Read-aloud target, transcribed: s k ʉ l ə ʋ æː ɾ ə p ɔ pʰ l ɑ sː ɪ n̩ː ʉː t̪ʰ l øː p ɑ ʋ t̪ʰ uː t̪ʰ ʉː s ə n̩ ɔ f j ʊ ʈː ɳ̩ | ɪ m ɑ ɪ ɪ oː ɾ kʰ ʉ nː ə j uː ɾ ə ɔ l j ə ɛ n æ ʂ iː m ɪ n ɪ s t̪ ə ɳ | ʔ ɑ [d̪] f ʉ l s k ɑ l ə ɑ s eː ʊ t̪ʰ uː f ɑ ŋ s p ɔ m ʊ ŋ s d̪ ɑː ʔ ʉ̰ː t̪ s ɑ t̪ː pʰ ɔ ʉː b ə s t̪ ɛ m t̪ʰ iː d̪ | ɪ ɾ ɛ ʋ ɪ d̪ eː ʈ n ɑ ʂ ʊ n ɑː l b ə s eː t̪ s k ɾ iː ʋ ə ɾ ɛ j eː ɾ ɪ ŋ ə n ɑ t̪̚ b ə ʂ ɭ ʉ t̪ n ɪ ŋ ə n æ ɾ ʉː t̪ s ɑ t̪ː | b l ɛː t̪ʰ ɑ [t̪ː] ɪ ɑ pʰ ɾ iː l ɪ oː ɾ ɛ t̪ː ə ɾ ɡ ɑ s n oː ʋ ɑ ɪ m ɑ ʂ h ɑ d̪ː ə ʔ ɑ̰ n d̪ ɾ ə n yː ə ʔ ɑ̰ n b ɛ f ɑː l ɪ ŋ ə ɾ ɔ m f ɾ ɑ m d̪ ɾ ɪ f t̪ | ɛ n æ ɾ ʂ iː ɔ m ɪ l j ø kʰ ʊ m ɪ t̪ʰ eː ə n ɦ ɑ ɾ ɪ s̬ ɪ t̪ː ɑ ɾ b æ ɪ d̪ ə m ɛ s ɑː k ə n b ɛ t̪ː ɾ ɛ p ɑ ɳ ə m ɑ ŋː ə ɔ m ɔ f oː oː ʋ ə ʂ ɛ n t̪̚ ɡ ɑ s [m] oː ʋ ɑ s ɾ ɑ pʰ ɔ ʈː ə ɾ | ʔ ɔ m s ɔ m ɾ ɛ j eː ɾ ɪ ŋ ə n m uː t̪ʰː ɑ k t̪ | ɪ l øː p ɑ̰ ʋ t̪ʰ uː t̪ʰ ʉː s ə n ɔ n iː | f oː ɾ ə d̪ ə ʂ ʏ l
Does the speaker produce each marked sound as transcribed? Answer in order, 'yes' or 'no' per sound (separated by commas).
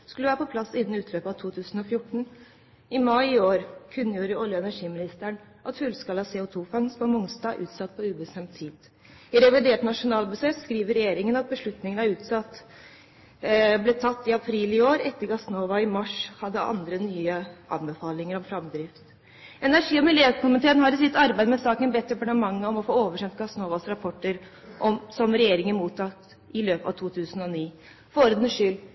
no, yes, no